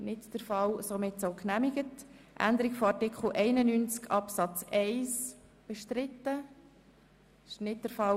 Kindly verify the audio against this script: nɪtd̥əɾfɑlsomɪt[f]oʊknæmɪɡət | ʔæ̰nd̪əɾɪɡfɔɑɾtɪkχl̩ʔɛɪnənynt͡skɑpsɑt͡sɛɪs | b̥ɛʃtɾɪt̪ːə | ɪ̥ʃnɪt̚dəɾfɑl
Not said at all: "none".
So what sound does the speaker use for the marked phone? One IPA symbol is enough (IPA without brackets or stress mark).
s